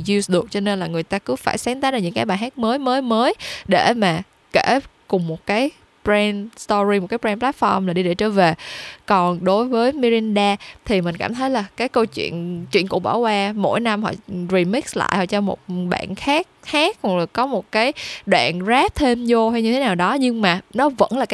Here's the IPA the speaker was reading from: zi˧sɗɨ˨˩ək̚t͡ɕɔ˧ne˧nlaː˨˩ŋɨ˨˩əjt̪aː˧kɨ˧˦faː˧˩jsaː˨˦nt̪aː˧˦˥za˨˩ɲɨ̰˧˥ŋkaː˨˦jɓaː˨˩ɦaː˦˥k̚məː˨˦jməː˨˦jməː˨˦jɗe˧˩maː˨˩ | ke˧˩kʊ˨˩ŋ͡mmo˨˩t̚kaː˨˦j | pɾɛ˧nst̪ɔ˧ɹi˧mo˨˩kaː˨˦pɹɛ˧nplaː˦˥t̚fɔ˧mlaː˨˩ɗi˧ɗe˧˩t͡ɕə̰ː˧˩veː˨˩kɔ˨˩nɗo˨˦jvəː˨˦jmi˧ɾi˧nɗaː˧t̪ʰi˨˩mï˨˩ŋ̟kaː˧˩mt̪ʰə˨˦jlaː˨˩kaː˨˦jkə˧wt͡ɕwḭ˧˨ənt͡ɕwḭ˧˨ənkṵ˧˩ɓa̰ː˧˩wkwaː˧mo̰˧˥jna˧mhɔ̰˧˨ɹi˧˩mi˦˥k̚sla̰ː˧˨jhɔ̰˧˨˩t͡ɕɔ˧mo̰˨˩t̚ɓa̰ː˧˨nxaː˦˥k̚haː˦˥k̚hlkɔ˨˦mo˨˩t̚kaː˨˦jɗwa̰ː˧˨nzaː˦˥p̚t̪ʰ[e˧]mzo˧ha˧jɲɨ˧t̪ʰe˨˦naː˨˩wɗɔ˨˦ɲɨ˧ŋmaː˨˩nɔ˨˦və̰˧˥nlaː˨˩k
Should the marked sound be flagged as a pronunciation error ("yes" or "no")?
no